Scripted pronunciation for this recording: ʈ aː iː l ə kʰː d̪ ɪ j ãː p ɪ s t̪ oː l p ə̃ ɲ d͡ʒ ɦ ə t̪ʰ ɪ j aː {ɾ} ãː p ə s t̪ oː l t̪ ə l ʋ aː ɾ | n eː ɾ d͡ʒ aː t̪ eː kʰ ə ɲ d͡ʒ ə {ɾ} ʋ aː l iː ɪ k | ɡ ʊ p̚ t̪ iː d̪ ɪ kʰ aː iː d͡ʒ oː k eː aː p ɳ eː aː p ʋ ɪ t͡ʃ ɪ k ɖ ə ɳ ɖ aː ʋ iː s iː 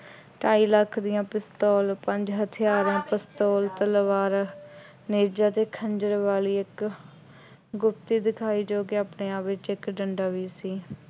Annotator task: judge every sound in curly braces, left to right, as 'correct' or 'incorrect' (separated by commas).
correct, correct